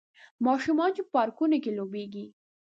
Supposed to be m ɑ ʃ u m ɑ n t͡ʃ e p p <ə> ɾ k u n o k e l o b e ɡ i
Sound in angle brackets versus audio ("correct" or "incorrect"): incorrect